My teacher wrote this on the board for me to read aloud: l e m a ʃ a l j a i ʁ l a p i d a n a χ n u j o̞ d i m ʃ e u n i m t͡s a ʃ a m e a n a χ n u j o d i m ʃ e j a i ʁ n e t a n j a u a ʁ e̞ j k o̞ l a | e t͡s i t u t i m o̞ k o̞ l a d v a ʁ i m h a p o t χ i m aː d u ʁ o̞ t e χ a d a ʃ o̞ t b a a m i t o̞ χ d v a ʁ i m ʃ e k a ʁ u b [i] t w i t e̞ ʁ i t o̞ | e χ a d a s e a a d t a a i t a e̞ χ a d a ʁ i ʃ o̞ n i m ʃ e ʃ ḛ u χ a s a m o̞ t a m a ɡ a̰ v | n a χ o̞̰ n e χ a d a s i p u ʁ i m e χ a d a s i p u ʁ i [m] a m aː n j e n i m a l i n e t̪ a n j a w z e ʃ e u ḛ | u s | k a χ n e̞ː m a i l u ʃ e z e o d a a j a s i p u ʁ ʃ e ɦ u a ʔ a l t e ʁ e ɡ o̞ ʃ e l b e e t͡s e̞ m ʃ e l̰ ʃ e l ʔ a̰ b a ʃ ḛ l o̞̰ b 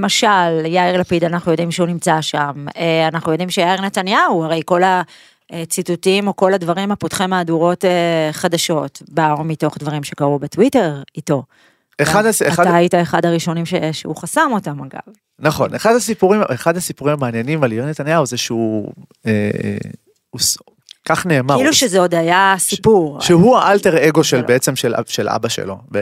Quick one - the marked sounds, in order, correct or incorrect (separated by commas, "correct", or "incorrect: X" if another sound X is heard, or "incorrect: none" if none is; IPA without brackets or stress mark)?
incorrect: e, correct